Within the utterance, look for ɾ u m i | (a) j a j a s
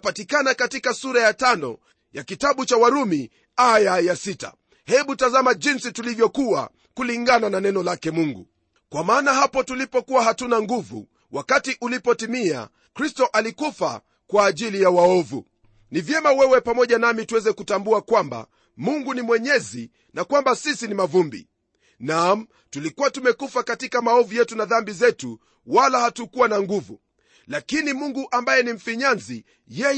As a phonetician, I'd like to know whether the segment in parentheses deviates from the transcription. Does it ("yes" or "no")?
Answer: no